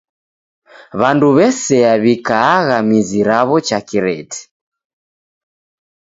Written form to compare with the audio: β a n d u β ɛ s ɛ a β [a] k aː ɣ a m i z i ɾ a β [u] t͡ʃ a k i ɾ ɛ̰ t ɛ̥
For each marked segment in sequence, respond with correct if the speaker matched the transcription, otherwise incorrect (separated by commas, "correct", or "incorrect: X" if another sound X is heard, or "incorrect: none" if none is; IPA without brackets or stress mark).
incorrect: i, incorrect: ɔ